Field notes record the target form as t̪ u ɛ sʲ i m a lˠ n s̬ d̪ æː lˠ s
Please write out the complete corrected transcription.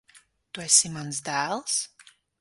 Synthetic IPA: t̪ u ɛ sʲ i m a n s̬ d̪ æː lˠ s